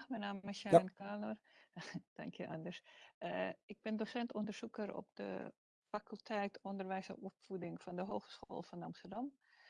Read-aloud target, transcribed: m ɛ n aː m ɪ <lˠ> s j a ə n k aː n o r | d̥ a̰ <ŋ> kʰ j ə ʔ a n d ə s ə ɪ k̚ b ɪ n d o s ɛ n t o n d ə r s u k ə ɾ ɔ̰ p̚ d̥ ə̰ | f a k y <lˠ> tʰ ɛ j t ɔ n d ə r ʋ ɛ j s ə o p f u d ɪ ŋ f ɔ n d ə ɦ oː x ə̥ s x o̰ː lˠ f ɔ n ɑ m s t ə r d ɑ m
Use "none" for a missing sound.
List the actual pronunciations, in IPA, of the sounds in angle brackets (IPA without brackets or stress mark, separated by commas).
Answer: none, ŋ, lˠ